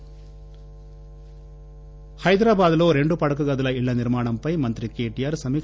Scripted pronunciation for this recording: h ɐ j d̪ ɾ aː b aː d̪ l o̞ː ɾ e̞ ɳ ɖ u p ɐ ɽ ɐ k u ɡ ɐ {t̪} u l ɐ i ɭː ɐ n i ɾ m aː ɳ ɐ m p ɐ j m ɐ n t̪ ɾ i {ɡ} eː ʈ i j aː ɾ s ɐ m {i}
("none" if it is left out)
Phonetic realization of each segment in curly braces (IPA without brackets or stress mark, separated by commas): d̪, k, iː